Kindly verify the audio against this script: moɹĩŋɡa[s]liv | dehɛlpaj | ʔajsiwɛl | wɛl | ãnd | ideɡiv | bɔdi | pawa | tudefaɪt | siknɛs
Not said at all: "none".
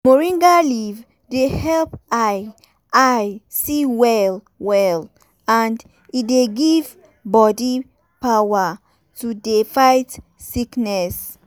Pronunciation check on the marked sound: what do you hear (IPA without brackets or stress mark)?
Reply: none